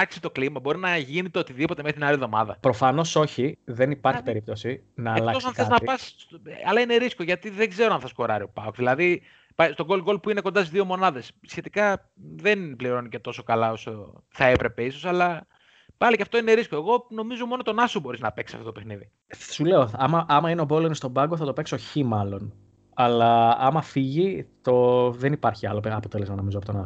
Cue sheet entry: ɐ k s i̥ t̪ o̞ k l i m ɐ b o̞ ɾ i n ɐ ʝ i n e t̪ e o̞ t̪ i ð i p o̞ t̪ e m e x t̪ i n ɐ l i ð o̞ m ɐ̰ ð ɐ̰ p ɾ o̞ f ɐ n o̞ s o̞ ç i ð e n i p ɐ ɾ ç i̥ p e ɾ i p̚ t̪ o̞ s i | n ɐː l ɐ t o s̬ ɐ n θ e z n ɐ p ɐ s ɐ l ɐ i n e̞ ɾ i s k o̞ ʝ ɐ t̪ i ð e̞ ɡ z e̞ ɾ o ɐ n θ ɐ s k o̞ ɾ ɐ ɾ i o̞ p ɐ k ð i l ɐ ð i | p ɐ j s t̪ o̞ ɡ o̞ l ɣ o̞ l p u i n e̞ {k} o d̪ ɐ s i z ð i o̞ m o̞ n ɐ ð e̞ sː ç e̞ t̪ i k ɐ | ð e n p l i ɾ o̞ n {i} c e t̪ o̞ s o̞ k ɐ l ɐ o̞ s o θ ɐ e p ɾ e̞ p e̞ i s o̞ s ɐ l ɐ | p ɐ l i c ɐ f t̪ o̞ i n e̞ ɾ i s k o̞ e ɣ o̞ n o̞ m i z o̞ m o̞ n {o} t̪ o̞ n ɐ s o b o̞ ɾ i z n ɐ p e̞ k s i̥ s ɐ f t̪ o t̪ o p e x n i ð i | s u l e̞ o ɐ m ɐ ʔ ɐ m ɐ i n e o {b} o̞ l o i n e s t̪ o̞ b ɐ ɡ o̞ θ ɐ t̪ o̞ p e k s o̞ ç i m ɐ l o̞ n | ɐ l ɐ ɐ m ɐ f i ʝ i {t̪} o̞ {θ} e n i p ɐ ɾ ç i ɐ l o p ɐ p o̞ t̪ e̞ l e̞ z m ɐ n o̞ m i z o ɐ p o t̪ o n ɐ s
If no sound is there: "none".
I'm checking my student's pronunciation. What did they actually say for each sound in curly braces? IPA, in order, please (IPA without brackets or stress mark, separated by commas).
k, i, o, b, t̪, ð